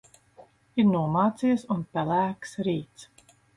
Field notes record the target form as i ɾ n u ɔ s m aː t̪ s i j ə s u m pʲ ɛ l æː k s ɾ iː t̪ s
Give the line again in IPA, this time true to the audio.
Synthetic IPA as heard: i ɾ n u ɔ m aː t̪ s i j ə s u n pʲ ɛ l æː k s ɾ iː t̪ s